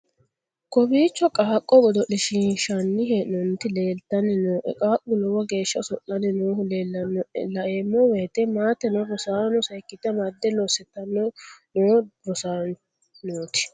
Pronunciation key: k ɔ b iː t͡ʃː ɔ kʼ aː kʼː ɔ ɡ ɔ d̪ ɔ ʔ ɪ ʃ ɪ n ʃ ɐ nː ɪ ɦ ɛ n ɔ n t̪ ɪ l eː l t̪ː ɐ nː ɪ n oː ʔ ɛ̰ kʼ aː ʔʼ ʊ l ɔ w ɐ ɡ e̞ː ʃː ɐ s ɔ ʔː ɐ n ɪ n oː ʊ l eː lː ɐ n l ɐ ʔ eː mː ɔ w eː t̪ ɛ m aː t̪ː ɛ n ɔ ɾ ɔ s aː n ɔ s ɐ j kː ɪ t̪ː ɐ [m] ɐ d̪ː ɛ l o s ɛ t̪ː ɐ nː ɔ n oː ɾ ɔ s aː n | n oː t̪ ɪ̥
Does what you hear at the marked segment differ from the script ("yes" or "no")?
no